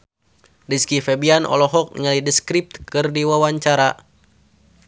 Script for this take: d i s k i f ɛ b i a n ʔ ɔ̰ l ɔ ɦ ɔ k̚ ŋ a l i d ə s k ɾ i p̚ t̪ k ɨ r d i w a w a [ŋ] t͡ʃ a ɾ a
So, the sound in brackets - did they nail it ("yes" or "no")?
no